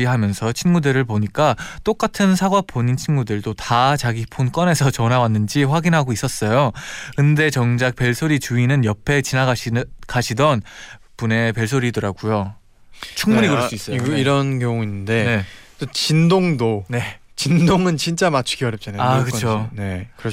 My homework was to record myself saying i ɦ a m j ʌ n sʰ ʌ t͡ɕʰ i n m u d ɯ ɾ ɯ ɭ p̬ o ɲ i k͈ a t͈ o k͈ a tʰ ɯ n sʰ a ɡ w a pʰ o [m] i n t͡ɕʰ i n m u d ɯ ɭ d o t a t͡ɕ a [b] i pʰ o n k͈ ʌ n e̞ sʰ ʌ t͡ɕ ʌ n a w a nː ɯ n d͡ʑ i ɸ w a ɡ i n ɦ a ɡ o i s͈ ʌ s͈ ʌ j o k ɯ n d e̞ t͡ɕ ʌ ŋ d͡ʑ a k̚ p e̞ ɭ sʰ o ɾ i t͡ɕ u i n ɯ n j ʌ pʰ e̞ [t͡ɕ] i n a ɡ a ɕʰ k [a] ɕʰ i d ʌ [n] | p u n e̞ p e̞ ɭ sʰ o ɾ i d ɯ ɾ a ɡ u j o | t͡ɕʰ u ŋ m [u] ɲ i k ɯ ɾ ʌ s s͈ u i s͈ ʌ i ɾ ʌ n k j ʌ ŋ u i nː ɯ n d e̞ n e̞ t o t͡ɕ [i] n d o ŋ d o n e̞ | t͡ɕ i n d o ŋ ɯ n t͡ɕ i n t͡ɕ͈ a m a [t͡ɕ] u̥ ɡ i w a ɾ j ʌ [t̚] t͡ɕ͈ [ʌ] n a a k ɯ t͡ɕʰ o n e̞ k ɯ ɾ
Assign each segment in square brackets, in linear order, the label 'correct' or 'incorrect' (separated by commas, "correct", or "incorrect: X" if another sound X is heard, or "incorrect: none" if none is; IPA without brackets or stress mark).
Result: incorrect: ɲ, incorrect: ɡ, correct, correct, correct, correct, correct, incorrect: t͡ɕʰ, incorrect: p̚, incorrect: a